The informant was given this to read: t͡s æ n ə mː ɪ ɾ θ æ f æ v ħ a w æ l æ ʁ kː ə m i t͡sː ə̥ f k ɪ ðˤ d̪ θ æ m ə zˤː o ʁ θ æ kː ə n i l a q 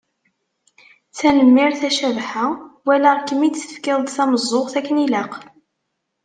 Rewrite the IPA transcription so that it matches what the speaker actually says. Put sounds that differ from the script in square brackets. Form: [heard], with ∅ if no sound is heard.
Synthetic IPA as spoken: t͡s æ n ə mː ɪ ɾ θ æ [ʃ] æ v ħ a w æ l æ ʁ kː ə m i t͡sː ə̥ f k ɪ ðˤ d̪ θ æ m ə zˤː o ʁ θ æ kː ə n i l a q